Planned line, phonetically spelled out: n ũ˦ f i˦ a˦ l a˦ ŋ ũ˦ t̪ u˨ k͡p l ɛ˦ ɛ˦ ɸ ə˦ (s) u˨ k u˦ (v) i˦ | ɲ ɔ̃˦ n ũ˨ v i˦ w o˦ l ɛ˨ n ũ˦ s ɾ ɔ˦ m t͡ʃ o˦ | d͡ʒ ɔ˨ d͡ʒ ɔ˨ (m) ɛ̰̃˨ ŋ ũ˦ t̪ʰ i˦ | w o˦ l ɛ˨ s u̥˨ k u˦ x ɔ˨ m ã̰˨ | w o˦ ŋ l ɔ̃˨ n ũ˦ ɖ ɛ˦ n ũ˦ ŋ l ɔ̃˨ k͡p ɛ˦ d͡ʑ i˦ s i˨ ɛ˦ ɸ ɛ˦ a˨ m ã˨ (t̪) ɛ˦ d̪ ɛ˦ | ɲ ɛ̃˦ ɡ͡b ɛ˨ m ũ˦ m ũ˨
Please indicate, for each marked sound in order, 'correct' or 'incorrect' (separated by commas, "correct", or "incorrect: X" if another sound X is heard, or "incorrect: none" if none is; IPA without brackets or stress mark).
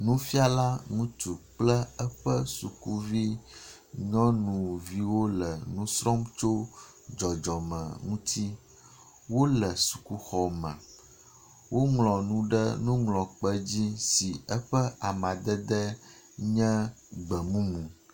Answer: correct, correct, correct, incorrect: d̪